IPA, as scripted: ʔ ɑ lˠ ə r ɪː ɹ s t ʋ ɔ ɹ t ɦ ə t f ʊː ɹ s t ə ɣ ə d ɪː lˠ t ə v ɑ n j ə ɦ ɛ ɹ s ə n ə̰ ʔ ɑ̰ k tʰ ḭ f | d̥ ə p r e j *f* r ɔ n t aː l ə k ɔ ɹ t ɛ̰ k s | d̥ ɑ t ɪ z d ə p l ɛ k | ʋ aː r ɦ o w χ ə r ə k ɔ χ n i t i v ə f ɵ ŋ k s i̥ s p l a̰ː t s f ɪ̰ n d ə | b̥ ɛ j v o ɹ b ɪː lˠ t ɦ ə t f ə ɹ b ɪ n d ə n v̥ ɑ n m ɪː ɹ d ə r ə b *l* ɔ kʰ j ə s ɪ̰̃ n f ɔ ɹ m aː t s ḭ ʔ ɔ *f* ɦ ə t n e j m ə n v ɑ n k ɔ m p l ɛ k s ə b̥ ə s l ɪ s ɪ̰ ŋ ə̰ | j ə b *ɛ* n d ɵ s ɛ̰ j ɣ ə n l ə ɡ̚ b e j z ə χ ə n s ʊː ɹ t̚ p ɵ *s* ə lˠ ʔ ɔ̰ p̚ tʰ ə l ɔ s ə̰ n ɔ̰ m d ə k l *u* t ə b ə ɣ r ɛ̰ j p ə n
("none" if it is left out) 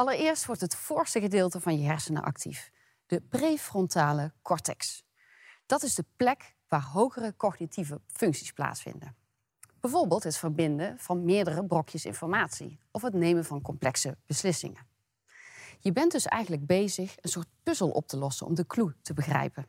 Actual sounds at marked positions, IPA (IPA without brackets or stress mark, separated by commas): f, r, f, ɛ, z, u